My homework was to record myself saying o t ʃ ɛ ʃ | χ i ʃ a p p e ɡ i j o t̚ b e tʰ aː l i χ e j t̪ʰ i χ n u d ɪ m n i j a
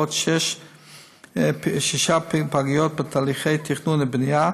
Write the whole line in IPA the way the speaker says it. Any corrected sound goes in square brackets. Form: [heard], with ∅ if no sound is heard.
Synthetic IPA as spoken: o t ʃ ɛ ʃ | [ʃ] i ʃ a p p [a] ɡ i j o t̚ b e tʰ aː l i χ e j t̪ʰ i χ n u [n] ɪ [b] n i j a